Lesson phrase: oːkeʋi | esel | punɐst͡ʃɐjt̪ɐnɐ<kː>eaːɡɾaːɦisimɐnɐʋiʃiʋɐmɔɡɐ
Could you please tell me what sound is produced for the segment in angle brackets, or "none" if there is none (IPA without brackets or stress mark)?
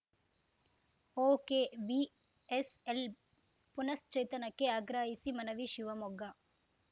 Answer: kː